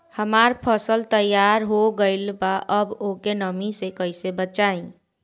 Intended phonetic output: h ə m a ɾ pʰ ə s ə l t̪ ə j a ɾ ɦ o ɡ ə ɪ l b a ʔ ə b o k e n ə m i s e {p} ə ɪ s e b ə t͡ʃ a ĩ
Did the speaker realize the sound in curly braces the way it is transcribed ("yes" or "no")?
no